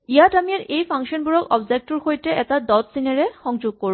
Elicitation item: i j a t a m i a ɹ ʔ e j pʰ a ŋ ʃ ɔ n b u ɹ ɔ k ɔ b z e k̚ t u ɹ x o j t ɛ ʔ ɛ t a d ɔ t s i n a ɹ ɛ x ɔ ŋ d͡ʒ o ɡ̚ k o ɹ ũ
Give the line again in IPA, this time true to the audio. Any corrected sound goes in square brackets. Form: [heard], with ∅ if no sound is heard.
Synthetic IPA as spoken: i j a t a m i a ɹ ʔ e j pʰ a ŋ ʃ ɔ n b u ɹ ɔ k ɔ b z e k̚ t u ɹ x o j t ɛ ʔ ɛ t a d ɔ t s i n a ɹ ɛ x ɔ ŋ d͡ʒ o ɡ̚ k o ɹ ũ